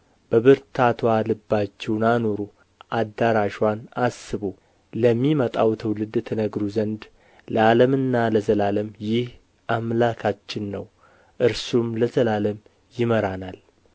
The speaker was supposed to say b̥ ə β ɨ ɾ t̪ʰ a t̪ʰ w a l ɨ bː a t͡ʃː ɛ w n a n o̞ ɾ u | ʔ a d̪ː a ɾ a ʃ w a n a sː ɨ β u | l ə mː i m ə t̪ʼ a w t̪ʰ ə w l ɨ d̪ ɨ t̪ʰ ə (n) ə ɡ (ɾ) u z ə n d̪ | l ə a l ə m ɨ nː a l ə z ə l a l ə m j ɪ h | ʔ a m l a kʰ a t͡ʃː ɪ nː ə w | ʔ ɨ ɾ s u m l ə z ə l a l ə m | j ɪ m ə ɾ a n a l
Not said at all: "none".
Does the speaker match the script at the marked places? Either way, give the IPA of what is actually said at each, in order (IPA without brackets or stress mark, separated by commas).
n, ɾ